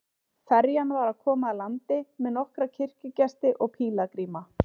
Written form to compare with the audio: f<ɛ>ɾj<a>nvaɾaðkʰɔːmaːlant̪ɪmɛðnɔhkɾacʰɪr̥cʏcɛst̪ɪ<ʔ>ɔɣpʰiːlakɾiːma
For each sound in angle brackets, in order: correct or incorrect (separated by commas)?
correct, correct, correct